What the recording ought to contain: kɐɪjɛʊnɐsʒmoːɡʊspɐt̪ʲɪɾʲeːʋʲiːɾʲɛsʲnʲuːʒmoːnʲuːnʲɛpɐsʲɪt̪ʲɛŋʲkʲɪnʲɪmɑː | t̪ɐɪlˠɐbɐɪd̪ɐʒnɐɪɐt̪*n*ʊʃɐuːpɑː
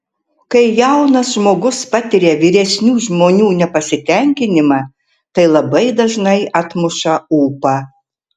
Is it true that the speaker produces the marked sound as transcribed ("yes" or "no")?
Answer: no